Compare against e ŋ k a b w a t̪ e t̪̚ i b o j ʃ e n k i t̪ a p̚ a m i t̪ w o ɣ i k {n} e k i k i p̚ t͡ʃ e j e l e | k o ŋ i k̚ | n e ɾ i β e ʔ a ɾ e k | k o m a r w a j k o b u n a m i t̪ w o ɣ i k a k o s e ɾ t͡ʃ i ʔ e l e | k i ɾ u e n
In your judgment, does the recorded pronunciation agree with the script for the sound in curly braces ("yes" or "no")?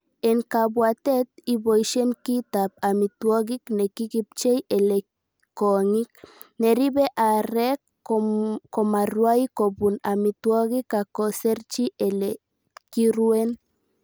yes